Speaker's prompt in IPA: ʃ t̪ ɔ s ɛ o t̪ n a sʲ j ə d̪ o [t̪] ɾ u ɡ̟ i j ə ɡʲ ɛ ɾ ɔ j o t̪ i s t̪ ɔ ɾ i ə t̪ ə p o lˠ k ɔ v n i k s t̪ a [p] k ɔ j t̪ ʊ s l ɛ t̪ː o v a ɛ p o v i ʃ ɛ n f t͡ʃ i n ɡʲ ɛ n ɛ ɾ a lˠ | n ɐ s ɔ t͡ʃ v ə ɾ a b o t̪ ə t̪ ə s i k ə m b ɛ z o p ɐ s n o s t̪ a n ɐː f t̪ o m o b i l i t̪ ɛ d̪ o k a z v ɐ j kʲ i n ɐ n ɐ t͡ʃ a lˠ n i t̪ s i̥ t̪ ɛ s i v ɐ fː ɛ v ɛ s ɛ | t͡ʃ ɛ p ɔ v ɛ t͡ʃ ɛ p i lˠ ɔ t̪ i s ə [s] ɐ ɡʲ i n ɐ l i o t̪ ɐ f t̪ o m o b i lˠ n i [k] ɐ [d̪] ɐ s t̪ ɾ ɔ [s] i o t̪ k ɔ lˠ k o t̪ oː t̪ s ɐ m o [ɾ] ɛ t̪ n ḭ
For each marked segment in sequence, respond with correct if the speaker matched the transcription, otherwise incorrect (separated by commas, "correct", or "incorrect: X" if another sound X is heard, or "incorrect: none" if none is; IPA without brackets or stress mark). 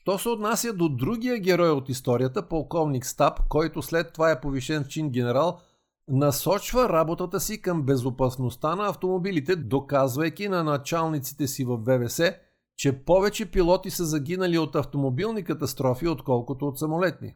incorrect: d̪, correct, incorrect: z, correct, incorrect: t̪, incorrect: f, incorrect: l